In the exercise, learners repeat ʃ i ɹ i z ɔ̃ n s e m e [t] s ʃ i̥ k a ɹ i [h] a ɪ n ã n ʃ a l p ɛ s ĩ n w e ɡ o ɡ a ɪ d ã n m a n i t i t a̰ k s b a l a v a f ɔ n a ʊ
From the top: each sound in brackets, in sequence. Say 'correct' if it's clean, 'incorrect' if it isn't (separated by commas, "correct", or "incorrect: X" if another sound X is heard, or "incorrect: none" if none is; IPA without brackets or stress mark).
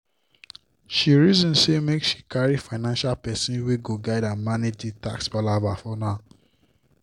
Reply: incorrect: k, incorrect: f